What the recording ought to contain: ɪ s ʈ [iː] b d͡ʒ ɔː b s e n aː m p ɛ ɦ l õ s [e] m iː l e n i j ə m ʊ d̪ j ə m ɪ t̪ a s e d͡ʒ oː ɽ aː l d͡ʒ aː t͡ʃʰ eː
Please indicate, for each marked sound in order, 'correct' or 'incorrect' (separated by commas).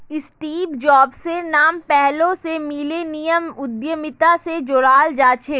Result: correct, correct